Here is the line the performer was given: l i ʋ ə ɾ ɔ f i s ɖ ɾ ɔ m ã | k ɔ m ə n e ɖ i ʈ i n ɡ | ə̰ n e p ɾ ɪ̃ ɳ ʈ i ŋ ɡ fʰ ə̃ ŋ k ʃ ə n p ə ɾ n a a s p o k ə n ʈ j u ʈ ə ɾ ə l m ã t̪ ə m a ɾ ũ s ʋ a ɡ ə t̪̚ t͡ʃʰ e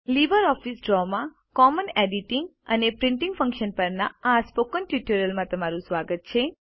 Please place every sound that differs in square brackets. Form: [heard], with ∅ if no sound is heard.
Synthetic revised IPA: l i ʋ ə ɾ ɔ f i s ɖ ɾ ɔ m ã | k ɔ m ə n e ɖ i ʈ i [ŋ] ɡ | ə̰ n e p ɾ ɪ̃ ɳ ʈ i ŋ ɡ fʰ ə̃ ŋ k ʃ ə n p ə ɾ n a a s p o k ə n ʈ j u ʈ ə ɾ ə l m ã t̪ ə m a ɾ ũ s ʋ a ɡ ə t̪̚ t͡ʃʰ e

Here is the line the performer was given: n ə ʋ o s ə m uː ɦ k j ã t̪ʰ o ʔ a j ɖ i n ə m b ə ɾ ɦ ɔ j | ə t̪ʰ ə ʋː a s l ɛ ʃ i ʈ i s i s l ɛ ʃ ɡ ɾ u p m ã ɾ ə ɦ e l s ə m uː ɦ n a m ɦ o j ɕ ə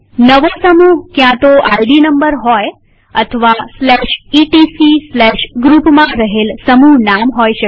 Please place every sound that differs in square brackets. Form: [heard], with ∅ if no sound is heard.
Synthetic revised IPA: n ə ʋ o s ə m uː ɦ k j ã [t̪] o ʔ a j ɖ i n ə m b ə ɾ ɦ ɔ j | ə t̪ʰ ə [ʋ] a s l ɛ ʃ i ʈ i s i s l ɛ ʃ ɡ ɾ u p m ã ɾ ə ɦ e l s ə m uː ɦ n a m ɦ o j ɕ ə

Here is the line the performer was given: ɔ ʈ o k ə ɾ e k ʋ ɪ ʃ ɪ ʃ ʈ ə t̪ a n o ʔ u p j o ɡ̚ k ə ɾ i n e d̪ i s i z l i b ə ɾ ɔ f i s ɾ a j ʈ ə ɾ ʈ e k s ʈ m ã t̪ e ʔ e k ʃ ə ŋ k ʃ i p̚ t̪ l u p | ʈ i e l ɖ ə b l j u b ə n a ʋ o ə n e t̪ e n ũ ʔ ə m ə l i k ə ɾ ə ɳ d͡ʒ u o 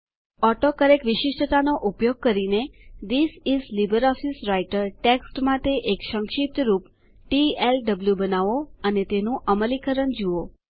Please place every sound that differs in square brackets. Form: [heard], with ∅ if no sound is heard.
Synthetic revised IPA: ɔ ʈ o k ə ɾ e k ʋ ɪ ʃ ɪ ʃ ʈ ə t̪ a n o ʔ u p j o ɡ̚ k ə ɾ i n e d̪ i s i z l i b ə ɾ ɔ f i s ɾ a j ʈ ə ɾ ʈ e k s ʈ m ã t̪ e ʔ e k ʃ ə ŋ k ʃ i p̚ t̪ [ɾ] u p | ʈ i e l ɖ ə b l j u b ə n a ʋ o ə n e t̪ e n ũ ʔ ə m ə l i k ə ɾ ə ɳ d͡ʒ u o

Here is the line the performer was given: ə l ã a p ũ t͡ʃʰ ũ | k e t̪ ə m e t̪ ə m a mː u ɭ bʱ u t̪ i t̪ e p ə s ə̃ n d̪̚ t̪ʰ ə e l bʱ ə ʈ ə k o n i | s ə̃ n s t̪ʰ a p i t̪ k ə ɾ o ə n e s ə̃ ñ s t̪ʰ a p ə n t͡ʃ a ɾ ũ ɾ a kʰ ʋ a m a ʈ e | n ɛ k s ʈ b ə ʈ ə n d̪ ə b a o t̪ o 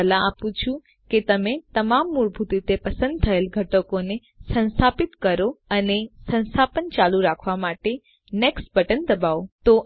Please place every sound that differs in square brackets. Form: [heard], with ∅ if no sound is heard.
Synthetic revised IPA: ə l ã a p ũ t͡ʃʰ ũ | k e t̪ ə m e t̪ ə m a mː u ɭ bʱ u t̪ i t̪ e p ə s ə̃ n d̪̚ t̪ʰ ə e l [ɡʱ] ə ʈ ə k o n [e] | s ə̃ n s t̪ʰ a p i t̪ k ə ɾ o ə n e s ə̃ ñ s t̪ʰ a p ə n t͡ʃ a [l] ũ ɾ a kʰ ʋ a m a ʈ e | n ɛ k s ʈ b ə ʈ ə n d̪ ə b a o t̪ o

